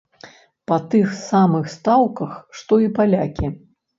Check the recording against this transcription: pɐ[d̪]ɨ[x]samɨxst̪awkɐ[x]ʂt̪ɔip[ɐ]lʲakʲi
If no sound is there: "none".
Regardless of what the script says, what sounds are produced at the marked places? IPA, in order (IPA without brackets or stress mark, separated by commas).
t̪, x, x, a